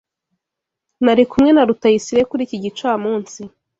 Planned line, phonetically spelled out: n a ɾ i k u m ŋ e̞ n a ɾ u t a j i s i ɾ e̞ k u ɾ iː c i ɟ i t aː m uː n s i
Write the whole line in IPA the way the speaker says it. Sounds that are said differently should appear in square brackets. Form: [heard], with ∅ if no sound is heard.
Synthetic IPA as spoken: n a ɾ i k u m ŋ e̞ n a ɾ u t a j i s i ɾ e̞ k u ɾ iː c i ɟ i [t͡ʃ] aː m uː n s i